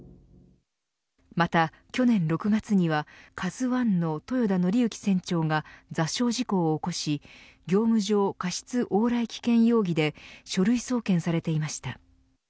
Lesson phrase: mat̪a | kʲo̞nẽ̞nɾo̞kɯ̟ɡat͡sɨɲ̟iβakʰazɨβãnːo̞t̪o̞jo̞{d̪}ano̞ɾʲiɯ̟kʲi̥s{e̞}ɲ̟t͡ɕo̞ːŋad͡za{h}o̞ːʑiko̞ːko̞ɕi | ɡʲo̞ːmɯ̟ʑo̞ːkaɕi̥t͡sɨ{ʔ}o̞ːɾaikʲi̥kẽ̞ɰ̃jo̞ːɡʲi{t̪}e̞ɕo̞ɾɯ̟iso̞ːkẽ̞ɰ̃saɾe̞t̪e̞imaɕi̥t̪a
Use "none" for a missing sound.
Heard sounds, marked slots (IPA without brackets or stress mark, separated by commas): d̪, ẽ̞, ɕ, ʔ, d̪